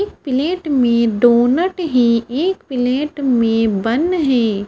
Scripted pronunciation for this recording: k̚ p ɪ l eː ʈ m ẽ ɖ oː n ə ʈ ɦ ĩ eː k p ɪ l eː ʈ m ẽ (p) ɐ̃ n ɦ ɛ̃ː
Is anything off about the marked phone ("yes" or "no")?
yes